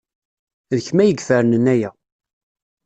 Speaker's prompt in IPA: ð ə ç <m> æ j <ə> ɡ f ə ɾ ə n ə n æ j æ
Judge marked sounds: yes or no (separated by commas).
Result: yes, yes